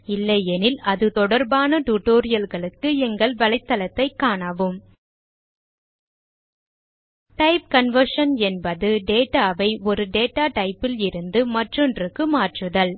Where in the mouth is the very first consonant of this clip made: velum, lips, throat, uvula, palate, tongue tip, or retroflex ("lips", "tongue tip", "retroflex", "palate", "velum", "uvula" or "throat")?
tongue tip